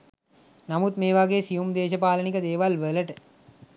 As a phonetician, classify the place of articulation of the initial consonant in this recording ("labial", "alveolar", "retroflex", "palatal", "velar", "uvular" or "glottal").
alveolar